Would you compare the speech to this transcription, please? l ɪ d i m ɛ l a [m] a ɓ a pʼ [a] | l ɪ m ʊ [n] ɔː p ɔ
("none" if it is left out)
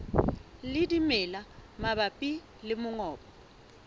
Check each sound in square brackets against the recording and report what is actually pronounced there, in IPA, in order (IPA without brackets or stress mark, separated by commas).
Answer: m, i, ŋ